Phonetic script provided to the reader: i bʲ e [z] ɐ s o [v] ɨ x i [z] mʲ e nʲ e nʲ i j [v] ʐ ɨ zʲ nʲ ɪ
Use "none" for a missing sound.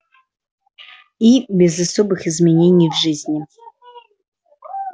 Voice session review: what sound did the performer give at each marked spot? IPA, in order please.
z, b, z, v

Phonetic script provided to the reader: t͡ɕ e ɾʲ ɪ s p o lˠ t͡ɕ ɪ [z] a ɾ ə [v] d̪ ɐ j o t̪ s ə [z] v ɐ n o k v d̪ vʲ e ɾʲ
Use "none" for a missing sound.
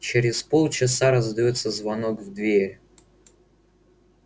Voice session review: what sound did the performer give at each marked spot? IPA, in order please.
s, z, z

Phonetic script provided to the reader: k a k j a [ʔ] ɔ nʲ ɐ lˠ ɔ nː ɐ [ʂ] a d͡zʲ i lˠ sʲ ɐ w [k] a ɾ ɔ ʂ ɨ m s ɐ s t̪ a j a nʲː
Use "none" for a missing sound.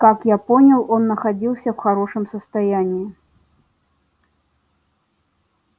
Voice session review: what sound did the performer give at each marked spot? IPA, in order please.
p, x, x

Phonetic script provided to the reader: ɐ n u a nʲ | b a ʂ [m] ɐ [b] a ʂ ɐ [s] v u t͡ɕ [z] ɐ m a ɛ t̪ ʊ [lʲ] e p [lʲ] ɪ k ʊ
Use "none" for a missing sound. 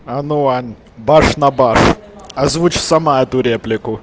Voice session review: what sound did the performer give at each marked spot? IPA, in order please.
n, b, z, s, ɾʲ, lʲ

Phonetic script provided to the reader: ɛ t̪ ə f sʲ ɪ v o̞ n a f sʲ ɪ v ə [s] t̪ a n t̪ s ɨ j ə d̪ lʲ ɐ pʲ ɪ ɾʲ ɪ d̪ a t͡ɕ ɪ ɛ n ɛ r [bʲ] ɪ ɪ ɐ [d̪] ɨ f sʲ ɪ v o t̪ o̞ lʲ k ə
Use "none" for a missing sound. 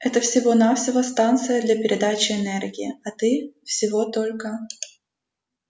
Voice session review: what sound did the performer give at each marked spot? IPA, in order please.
s, ɡʲ, t̪

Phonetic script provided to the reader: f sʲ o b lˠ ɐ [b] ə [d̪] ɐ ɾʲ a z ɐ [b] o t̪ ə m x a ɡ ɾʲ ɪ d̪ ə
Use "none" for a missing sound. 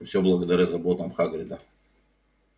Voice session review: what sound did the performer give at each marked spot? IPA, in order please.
ɡ, d̪, b

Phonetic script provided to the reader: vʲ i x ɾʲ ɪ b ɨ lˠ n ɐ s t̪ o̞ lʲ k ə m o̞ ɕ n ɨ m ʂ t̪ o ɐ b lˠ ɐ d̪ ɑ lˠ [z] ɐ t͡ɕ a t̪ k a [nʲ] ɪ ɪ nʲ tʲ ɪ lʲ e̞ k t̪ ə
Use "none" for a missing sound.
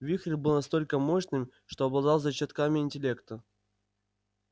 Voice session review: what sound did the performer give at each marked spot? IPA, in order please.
z, mʲ

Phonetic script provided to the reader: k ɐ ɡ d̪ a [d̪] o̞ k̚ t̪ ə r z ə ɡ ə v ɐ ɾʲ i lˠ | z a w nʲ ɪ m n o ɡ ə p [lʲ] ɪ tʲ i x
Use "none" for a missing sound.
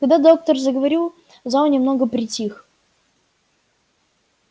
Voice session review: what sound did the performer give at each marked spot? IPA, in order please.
d̪, ɾʲ

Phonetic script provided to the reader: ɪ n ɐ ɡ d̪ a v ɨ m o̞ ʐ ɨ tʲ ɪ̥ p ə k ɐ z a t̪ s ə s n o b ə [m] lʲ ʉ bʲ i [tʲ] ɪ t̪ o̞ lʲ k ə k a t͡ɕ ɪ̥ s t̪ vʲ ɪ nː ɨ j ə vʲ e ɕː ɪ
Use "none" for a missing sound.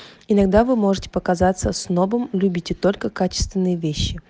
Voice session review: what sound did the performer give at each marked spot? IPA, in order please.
m, tʲ

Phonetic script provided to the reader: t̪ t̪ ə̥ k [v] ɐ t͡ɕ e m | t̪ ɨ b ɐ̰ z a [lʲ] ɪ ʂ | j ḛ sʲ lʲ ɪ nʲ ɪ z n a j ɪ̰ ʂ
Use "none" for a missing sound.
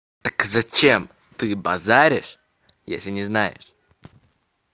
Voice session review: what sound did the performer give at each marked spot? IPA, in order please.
z, ɾʲ

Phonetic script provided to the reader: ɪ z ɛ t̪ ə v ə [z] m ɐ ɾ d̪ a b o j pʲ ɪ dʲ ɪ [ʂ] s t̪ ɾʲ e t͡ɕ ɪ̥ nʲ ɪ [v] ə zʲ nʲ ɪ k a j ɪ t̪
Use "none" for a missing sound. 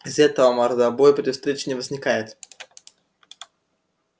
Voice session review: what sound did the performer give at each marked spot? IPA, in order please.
none, f, v

